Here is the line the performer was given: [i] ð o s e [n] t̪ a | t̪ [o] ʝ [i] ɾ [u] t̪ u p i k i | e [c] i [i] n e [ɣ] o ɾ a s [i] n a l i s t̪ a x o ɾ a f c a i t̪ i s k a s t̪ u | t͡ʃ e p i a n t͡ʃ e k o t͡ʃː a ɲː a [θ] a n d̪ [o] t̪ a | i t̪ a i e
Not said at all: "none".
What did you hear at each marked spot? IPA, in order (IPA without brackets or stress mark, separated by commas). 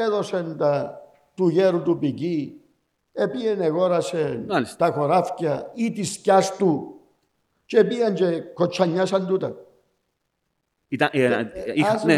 e, n, u, e, u, p, e, ɣ, e, s, u